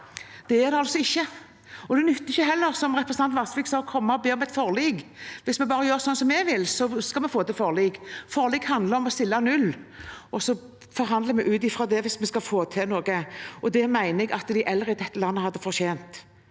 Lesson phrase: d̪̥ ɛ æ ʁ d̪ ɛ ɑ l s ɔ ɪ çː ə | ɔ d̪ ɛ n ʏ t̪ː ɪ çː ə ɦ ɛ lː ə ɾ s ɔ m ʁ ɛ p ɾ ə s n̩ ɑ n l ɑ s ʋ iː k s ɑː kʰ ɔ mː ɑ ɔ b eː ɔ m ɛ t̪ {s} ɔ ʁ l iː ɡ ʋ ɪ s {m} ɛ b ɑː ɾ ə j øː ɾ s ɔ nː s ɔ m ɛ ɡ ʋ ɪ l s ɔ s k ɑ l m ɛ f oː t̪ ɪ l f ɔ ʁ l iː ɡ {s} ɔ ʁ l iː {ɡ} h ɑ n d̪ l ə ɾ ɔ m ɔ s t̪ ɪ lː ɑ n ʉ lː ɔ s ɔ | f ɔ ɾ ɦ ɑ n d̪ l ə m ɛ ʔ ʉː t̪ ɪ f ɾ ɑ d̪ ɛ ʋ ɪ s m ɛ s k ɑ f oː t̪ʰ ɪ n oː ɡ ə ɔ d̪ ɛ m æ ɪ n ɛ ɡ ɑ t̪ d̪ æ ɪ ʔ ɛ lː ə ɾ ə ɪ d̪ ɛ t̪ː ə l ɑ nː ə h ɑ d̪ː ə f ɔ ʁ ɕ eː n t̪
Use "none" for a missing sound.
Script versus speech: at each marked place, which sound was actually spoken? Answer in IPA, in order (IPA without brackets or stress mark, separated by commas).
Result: f, m, f, ɡ